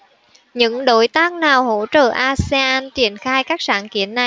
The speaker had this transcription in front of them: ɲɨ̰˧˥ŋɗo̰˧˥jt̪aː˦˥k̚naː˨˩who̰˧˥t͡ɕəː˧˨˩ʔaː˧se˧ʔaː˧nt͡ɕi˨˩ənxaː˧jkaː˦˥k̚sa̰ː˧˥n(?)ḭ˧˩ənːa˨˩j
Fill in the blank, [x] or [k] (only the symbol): k